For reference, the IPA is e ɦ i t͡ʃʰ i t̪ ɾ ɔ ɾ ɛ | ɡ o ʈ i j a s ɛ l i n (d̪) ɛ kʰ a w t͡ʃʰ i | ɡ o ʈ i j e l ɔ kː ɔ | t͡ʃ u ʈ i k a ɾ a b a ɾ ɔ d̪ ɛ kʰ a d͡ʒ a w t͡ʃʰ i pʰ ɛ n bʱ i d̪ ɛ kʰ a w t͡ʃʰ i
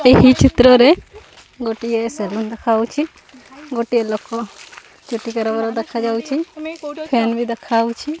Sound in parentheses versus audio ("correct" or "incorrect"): correct